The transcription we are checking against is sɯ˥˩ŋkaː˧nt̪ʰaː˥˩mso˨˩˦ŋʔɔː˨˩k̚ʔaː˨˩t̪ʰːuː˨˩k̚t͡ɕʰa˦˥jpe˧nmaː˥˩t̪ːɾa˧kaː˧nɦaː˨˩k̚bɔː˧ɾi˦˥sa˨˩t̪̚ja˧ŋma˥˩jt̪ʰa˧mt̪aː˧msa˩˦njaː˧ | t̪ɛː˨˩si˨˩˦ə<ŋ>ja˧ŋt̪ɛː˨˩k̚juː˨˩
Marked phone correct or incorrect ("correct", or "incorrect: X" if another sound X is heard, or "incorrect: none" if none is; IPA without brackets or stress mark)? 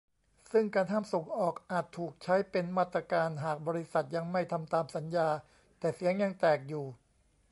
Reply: correct